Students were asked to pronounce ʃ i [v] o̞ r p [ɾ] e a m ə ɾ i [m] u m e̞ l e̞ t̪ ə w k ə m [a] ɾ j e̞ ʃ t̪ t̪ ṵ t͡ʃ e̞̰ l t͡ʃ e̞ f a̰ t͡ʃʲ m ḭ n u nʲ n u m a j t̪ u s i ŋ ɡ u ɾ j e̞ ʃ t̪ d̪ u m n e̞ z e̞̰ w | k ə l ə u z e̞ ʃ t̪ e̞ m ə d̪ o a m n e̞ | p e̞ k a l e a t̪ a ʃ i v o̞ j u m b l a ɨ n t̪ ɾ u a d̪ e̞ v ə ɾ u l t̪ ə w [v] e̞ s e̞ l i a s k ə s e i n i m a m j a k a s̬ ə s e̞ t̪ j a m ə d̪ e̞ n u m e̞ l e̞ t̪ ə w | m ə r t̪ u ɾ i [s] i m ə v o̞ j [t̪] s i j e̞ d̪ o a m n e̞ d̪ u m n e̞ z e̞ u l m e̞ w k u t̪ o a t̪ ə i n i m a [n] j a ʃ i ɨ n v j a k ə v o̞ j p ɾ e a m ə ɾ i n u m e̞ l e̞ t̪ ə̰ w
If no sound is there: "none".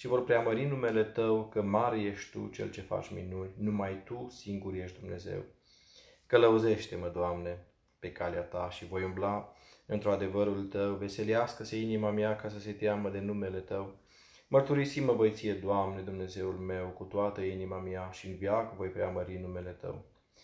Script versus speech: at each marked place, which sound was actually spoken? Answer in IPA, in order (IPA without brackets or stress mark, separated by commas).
v, ɾ, n, a, v, s, t̪, m